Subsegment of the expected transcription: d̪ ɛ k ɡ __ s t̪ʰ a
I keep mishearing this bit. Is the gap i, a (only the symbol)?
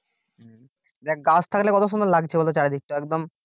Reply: a